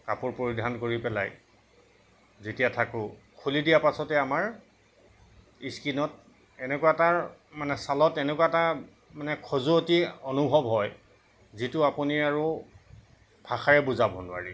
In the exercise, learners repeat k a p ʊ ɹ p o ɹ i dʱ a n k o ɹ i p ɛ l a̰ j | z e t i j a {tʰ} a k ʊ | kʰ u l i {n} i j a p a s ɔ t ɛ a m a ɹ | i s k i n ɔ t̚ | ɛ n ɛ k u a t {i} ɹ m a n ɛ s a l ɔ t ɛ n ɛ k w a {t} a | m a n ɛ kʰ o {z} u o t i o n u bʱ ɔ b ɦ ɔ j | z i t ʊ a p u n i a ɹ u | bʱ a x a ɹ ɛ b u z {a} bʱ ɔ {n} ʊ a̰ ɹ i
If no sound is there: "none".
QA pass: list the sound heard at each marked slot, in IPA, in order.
tʰ, d, a, t, z, a, n

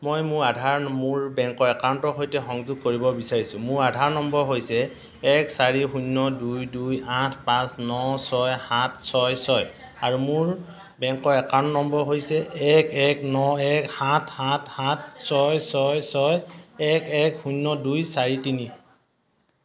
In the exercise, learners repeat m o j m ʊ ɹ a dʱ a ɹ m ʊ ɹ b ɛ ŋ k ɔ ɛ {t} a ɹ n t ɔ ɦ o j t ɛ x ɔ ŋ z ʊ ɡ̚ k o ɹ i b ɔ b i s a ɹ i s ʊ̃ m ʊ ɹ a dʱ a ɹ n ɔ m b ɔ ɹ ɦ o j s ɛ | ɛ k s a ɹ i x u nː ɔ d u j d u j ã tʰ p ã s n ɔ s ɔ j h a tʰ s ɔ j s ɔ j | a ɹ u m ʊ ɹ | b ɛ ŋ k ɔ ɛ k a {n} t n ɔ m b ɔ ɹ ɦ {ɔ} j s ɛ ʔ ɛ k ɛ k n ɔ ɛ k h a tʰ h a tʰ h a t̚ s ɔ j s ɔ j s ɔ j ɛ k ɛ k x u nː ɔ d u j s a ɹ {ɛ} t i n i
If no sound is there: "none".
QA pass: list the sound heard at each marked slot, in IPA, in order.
k, n, o, i

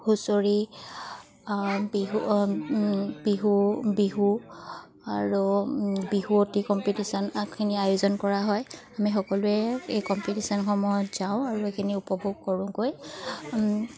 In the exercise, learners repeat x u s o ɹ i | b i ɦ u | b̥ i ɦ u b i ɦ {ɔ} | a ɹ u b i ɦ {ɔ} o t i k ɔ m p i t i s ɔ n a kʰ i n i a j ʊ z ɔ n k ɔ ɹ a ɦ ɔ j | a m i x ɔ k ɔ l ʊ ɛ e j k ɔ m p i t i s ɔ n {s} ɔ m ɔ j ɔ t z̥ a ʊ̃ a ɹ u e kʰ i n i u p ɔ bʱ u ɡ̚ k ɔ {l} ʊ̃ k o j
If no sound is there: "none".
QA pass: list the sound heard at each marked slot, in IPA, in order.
u, u, x, ɹ

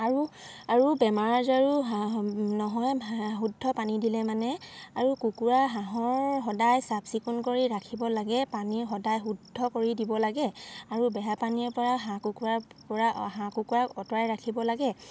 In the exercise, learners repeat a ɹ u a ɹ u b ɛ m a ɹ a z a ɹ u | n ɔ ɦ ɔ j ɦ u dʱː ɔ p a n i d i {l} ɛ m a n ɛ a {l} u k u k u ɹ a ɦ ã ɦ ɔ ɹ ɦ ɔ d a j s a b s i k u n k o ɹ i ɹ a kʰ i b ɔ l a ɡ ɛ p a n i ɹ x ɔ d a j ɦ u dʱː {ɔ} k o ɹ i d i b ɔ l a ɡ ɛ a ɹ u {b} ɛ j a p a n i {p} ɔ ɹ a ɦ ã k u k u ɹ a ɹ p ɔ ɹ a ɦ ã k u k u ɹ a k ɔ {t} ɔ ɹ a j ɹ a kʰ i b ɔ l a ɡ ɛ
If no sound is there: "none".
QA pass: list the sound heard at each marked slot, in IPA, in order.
l, ɹ, ɔ, b, p, t

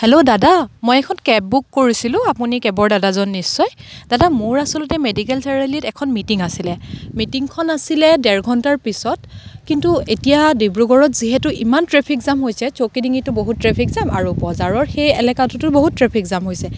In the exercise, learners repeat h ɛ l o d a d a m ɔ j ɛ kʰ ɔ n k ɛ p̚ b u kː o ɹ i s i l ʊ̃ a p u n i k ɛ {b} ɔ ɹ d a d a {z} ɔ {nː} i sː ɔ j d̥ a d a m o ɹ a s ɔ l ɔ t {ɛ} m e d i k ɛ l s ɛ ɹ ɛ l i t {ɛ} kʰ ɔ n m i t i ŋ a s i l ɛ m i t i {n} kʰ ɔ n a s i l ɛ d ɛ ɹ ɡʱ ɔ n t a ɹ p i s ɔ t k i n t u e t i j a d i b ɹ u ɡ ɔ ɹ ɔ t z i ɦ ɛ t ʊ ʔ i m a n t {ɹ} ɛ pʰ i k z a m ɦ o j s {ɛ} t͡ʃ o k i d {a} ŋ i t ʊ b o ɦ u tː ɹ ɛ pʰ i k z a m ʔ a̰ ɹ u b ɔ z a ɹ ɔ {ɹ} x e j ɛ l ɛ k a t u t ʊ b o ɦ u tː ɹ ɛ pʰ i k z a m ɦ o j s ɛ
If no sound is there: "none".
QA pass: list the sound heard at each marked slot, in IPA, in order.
b, z, nː, ɛ, ɛ, ŋ, ɹ, ɛ, i, ɹ

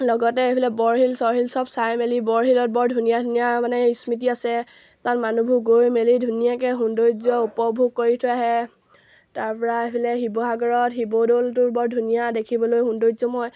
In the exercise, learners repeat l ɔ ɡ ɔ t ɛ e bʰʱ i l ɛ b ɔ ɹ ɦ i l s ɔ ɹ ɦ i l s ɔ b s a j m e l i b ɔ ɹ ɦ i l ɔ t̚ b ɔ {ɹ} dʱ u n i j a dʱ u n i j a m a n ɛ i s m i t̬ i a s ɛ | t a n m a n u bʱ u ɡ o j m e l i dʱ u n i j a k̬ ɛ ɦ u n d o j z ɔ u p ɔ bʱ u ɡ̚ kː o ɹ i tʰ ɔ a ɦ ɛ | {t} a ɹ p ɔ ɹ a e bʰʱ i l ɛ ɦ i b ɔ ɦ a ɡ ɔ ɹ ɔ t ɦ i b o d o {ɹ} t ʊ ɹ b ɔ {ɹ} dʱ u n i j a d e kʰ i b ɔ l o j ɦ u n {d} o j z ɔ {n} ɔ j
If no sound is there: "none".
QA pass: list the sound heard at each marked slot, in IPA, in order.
ɹ, t, l, ɹ, d, m

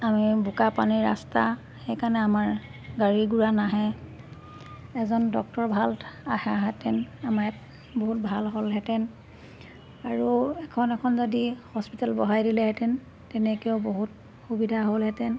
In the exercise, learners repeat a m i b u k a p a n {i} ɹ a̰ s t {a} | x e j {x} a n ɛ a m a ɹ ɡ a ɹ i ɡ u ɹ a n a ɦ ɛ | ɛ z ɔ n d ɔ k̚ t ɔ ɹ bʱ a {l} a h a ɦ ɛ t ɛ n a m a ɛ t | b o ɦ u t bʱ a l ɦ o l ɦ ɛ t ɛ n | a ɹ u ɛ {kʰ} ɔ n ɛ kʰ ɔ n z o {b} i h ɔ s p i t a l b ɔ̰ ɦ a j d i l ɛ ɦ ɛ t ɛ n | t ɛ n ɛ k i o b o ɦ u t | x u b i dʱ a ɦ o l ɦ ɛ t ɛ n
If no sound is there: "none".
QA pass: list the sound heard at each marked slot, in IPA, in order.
i, a, k, l, kʰ, d

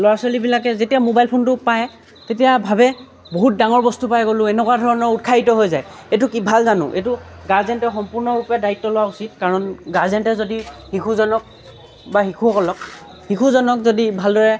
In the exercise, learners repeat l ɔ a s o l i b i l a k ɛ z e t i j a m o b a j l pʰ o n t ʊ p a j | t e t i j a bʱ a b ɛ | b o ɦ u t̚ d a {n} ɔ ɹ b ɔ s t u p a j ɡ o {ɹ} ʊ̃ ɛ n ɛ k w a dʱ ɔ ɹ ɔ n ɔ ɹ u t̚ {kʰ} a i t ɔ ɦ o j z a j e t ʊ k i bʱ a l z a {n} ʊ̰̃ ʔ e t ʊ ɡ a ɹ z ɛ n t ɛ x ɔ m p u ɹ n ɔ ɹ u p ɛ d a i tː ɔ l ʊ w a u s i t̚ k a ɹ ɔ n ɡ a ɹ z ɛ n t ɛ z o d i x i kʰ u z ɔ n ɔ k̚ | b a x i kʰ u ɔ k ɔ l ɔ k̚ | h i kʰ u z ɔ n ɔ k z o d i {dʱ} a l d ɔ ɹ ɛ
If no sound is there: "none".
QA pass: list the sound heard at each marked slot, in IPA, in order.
ŋ, l, kʰ, n, bʱ

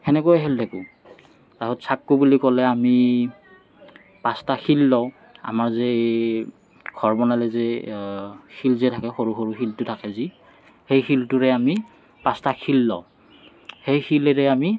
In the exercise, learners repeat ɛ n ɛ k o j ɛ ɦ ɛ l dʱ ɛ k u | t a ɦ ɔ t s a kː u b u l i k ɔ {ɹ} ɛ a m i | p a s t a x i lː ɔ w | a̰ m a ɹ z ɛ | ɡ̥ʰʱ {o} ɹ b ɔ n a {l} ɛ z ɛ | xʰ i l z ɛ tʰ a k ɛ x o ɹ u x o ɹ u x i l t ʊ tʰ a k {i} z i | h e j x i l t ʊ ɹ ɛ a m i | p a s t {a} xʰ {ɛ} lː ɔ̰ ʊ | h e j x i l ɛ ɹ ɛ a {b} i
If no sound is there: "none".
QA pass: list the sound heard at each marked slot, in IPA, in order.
l, ɔ, l, ɛ, a, i, m

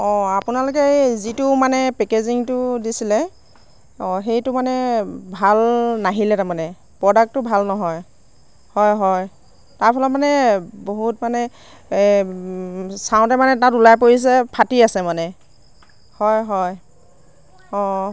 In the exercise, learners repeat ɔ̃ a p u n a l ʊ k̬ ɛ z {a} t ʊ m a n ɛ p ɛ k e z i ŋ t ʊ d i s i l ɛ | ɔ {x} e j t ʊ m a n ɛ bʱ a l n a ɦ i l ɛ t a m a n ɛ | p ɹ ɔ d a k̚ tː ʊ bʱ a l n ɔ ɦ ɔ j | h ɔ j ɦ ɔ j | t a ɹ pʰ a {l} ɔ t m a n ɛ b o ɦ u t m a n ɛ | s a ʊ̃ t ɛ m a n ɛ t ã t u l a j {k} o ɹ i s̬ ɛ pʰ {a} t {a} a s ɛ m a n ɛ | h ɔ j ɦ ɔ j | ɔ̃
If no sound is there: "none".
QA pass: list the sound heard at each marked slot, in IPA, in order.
i, x, l, p, a, i

